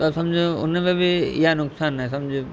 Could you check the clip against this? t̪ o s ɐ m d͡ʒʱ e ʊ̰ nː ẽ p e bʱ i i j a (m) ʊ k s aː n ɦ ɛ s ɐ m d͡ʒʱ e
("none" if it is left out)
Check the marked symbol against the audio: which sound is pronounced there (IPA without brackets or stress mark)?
n